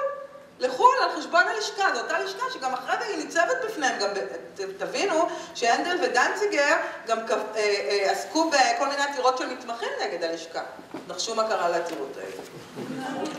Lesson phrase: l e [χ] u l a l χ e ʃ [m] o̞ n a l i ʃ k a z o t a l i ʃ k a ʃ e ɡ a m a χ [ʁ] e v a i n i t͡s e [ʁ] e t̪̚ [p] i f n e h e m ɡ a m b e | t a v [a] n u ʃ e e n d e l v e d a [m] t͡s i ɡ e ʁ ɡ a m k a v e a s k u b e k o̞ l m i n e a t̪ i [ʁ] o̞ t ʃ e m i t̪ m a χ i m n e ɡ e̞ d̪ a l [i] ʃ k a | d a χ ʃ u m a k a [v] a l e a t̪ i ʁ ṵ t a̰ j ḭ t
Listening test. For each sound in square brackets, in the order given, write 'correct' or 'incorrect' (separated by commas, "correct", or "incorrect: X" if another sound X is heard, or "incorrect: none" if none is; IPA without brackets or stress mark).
correct, incorrect: b, correct, incorrect: v, incorrect: b, incorrect: i, incorrect: n, correct, correct, incorrect: ʁ